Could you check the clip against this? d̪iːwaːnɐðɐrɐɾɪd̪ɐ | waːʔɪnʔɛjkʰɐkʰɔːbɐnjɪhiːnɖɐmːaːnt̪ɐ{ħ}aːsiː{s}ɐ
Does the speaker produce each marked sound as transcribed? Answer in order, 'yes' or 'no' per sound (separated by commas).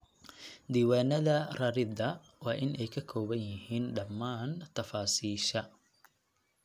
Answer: no, no